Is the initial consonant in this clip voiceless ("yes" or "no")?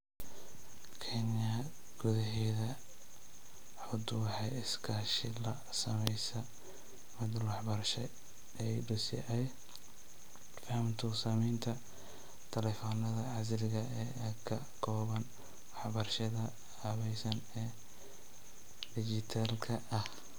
yes